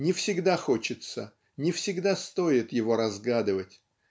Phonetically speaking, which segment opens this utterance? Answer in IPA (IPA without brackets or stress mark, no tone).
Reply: nʲ